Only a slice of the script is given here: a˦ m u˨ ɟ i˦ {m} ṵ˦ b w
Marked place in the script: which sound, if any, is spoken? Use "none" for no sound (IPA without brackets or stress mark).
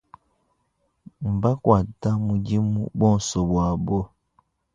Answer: m